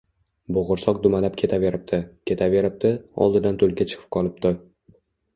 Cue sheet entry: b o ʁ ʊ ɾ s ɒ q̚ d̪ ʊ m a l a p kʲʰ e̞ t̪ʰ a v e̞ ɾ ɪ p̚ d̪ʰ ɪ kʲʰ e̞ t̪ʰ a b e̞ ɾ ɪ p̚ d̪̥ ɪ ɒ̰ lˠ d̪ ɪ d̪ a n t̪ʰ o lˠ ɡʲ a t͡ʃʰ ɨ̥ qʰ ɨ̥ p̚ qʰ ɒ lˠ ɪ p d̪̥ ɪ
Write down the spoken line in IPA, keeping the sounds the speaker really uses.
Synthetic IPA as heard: b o ʁ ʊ ɾ s ɒ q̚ d̪ ʊ m a l a p kʲʰ e̞ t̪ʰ a v e̞ ɾ ɪ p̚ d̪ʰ ɪ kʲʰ e̞ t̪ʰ a v e̞ ɾ ɪ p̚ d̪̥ ɪ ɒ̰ lˠ d̪ ɪ d̪ a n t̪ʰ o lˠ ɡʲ a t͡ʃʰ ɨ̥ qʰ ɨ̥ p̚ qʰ ɒ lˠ ɪ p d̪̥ ɪ